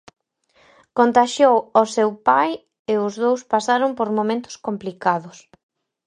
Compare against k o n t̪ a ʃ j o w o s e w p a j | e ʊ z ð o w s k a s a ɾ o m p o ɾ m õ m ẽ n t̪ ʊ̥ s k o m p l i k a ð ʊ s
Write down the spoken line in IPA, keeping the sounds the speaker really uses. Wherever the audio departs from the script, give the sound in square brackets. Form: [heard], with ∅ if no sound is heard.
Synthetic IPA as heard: k o n t̪ a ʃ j o w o s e w p a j | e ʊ z ð o w s [p] a s a ɾ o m p o ɾ m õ m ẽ n t̪ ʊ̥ s k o m p l i k a ð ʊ s